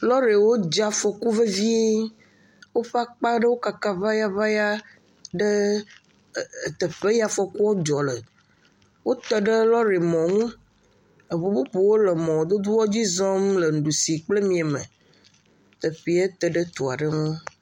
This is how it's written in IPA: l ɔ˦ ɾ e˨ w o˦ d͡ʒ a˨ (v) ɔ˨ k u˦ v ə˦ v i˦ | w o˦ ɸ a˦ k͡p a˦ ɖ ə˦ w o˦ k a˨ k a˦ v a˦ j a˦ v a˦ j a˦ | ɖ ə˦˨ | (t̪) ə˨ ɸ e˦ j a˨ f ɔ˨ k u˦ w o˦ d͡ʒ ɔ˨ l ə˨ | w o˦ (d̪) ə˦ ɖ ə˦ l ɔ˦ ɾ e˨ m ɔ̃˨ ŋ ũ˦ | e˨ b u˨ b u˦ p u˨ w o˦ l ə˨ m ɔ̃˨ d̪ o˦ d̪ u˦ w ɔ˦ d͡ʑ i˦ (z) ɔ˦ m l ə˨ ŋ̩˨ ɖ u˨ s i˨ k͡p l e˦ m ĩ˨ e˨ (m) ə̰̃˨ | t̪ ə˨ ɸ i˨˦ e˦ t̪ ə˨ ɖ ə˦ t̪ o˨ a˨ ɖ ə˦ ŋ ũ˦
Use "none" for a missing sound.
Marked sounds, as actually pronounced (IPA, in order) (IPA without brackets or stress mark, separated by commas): f, t̪, t̪, z, m